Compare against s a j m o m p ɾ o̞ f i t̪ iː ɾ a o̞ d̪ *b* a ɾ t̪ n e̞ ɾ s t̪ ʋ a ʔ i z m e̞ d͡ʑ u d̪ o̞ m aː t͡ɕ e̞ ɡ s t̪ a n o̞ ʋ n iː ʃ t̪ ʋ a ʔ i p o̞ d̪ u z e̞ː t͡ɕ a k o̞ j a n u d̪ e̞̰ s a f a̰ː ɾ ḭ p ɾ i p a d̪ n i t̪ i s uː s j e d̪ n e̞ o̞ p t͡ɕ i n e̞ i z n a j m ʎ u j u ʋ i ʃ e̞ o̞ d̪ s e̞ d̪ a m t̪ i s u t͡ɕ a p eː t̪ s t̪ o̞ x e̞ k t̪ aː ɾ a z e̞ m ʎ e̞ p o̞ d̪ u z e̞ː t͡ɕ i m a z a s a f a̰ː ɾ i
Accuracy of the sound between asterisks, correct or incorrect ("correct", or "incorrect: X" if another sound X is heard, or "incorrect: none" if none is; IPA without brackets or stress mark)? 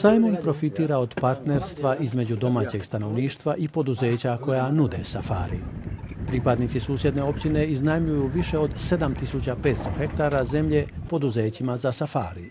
incorrect: p